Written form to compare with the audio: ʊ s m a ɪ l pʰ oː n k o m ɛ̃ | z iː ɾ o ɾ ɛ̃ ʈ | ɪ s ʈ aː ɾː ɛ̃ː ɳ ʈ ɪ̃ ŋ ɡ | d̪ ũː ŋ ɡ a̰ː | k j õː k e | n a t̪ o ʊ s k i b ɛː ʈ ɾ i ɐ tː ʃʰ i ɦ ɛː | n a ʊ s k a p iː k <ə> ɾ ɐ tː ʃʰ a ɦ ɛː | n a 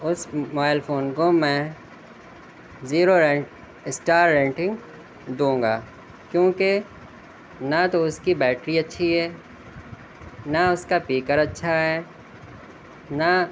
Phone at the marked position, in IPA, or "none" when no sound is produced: ə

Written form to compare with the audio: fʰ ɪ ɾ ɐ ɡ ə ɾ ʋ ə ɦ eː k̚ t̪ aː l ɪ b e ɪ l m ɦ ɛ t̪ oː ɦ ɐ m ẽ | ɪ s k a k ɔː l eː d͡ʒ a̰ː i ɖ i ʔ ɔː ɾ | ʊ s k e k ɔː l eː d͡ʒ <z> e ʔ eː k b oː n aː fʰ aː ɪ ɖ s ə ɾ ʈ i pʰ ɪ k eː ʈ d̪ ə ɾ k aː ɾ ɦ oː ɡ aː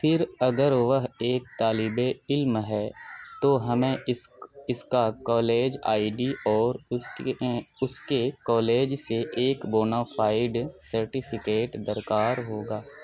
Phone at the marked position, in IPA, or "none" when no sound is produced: s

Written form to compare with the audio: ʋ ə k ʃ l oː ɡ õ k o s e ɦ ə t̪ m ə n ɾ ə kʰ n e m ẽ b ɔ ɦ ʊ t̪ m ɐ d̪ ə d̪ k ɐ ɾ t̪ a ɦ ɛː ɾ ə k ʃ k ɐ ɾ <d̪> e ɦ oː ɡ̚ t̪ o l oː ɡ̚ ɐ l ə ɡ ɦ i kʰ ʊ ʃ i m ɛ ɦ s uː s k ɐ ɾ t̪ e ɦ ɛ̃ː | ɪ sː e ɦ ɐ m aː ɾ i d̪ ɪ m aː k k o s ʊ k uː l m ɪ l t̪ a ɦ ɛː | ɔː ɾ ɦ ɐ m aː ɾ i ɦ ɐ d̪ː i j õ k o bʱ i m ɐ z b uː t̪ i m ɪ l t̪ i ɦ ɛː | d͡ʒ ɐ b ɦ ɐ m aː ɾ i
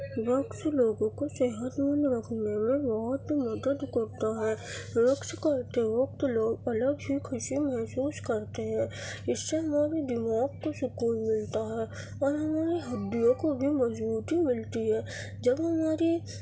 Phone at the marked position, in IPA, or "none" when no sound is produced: t̪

